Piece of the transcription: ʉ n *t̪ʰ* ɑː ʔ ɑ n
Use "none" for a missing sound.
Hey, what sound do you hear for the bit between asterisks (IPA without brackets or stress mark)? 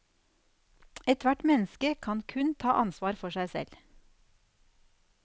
t̪ʰ